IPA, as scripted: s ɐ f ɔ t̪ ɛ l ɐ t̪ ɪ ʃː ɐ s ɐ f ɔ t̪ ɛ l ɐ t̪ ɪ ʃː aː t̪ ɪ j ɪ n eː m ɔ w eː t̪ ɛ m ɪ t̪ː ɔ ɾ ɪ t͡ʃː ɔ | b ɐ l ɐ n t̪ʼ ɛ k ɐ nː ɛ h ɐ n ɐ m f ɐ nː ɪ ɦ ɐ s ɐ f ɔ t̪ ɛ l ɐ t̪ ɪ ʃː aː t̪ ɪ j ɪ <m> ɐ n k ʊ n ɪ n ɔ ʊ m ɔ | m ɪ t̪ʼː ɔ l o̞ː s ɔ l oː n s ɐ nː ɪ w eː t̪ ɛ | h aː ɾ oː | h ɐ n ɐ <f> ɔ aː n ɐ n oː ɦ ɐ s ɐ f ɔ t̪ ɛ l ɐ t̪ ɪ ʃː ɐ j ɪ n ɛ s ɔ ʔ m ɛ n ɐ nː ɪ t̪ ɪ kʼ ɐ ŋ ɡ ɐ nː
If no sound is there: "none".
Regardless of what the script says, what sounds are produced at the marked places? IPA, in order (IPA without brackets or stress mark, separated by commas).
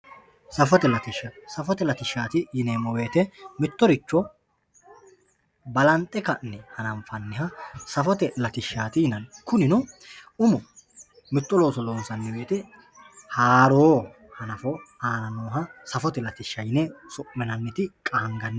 n, f